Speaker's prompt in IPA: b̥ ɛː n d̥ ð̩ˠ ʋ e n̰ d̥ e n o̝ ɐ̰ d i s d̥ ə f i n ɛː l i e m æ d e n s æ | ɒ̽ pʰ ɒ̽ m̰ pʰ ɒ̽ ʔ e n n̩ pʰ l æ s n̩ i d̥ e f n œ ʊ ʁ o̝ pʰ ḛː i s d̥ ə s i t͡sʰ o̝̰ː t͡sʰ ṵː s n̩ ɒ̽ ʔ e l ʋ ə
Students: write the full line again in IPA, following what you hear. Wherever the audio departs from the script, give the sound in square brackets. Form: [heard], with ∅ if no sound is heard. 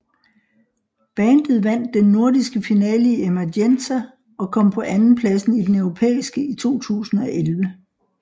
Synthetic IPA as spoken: b̥ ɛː n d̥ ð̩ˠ ʋ [æ] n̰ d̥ e [nː] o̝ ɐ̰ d i s [ɡ̥] ə f i n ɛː l i e m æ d e n s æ | ɒ̽ [kʰ] ɒ̽ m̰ pʰ ɒ̽ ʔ [æ] n n̩ pʰ l æ s n̩ i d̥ e [∅] n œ ʊ ʁ o̝ pʰ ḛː i s [ɡ̥] ə [∅] i t͡sʰ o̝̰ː t͡sʰ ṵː s n̩ ɒ̽ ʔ e l ʋ ə